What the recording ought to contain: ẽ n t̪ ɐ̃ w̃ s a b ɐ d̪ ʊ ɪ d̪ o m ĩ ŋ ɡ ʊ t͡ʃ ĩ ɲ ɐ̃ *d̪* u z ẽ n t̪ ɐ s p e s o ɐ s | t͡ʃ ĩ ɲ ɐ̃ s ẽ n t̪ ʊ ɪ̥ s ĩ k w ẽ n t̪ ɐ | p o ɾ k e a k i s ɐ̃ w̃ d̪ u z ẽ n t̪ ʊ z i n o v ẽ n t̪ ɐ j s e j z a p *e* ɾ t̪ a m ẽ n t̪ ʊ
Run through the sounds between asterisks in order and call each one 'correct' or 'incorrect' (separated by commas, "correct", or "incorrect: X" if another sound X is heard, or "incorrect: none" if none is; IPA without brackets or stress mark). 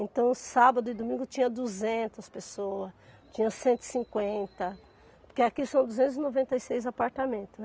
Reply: correct, incorrect: a